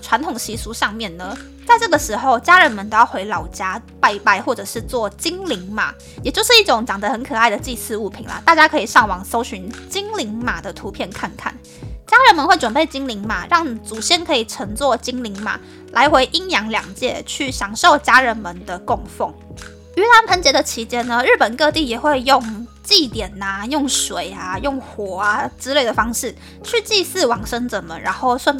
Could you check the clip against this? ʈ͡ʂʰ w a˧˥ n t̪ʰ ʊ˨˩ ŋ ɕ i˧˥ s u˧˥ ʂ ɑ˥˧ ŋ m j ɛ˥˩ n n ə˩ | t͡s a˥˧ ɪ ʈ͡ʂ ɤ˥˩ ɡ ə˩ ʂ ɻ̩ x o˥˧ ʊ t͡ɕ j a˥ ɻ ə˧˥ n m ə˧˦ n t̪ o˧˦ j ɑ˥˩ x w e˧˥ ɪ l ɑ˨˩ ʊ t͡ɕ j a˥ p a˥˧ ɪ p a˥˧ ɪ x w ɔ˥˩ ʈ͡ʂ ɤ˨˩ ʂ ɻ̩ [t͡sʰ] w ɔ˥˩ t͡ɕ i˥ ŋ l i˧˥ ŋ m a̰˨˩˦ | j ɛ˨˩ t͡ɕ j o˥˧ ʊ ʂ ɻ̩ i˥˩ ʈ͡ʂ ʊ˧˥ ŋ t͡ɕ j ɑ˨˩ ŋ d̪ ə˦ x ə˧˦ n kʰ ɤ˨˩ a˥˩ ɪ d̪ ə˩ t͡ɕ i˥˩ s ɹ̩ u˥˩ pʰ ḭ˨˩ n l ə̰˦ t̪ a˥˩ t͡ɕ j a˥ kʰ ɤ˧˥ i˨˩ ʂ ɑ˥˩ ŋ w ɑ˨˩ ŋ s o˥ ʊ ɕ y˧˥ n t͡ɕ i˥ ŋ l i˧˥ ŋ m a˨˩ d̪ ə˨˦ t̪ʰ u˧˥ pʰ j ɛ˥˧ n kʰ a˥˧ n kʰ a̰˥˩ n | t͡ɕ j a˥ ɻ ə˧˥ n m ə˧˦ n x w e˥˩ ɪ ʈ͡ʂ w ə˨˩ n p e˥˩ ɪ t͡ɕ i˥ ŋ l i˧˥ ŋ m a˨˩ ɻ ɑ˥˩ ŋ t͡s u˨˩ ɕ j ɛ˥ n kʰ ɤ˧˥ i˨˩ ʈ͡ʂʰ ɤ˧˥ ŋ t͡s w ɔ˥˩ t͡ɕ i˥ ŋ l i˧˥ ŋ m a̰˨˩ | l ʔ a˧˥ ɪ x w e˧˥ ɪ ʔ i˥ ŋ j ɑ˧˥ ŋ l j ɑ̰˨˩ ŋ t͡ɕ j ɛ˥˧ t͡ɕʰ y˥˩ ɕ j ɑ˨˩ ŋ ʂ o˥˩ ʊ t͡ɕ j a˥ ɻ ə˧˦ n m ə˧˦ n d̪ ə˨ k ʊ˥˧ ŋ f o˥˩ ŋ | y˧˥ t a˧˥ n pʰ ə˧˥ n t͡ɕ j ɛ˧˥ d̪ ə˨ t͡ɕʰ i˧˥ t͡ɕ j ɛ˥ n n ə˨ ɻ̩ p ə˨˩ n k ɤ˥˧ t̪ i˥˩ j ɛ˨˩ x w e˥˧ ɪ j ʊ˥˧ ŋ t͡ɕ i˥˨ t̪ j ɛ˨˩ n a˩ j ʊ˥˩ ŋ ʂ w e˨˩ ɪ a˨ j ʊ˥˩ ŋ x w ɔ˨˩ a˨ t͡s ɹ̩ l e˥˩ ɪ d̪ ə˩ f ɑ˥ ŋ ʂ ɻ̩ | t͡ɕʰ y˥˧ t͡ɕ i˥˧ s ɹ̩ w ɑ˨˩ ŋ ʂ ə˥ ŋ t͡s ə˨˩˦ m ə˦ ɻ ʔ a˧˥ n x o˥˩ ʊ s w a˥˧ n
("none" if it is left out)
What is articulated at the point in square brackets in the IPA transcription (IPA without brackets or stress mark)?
t͡s